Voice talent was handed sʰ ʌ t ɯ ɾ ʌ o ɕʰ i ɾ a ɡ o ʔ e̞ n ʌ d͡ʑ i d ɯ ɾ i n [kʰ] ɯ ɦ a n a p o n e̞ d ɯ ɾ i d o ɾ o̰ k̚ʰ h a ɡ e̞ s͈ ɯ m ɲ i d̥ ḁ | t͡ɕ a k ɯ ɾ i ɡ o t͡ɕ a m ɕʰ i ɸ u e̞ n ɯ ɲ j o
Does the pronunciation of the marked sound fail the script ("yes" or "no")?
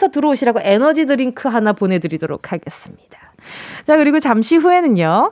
no